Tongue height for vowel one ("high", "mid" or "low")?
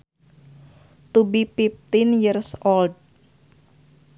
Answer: high